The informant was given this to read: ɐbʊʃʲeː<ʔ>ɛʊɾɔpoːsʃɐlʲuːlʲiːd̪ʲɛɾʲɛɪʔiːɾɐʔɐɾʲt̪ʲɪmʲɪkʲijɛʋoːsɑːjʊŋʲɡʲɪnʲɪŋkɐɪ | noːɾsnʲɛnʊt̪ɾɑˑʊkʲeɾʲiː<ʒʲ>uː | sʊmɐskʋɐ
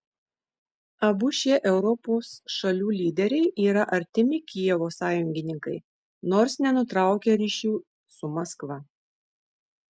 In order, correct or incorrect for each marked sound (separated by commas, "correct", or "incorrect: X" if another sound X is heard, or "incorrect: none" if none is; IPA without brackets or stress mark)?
correct, incorrect: ʃʲ